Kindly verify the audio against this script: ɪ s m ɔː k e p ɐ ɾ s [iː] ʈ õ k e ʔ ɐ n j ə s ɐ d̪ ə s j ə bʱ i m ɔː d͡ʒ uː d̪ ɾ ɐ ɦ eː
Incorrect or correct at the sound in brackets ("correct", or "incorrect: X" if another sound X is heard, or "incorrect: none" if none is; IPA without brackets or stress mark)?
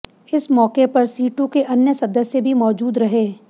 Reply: correct